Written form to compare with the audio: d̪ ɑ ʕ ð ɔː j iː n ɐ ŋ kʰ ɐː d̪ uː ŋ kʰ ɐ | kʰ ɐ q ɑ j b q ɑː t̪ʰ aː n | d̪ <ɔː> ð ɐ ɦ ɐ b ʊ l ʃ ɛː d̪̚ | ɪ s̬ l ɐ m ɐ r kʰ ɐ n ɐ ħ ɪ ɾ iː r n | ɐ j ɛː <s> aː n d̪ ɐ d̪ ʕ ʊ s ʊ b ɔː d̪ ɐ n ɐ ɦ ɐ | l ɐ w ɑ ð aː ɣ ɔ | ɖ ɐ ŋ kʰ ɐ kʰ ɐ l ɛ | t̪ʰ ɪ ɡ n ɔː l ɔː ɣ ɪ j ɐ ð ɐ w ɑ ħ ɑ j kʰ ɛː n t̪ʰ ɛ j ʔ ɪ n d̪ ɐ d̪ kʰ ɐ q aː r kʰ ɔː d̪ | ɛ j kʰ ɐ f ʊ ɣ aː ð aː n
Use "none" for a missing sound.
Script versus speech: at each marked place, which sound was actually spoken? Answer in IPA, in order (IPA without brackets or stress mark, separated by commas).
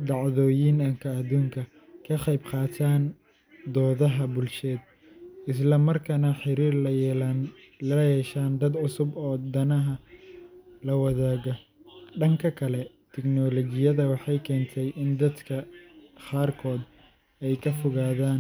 ɔː, ʃ